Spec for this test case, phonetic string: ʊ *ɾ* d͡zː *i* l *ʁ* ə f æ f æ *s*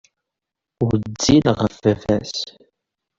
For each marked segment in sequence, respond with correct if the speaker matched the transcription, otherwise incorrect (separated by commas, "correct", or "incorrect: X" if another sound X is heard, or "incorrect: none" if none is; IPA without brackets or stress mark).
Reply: correct, correct, correct, correct